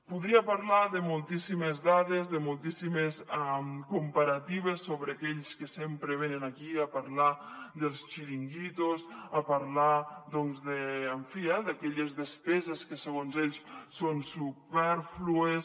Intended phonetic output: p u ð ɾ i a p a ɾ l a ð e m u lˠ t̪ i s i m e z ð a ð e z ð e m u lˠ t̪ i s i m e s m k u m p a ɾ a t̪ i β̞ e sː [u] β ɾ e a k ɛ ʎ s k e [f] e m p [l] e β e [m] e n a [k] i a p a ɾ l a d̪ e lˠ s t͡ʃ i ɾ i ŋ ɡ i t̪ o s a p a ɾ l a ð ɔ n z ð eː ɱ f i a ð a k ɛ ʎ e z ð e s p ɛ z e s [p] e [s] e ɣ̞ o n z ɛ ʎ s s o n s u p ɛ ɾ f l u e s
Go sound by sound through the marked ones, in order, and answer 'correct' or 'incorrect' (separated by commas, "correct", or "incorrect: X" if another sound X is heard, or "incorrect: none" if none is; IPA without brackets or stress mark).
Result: incorrect: o, incorrect: s, incorrect: ɾ, incorrect: n, correct, incorrect: k, correct